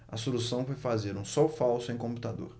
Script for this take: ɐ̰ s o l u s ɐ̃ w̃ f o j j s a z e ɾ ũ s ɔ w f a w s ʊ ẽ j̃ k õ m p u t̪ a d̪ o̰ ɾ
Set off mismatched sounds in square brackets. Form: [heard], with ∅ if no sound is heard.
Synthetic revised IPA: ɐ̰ s o l u s ɐ̃ w̃ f o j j [f] a z e ɾ ũ s ɔ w f a w s ʊ ẽ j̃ k õ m p u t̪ a d̪ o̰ ɾ